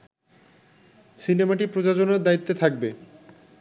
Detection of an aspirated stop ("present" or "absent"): present